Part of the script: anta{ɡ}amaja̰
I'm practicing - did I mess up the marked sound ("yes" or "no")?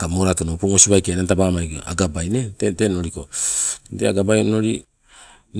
yes